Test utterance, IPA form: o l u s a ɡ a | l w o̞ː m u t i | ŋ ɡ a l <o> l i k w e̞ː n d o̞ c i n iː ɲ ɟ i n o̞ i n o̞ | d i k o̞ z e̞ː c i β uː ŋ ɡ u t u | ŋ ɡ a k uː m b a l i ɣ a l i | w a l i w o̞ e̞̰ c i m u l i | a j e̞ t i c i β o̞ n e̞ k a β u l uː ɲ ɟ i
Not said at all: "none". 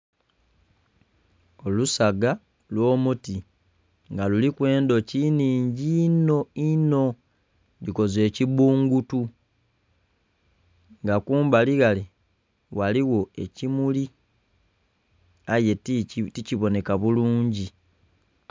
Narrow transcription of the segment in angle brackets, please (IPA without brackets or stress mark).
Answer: u